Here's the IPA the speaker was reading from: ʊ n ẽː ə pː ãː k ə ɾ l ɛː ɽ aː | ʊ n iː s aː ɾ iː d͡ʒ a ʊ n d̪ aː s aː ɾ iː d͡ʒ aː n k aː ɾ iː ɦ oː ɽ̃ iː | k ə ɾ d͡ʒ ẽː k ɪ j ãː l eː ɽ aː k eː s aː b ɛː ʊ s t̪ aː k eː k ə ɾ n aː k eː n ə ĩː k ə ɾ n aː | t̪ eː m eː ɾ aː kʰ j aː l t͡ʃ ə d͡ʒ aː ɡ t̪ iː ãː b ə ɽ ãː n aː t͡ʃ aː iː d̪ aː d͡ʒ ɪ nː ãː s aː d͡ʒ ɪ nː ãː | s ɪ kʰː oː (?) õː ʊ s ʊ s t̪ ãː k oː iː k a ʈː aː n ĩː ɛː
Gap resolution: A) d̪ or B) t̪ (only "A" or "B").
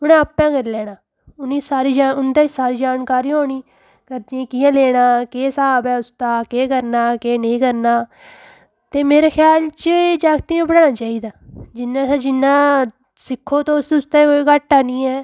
B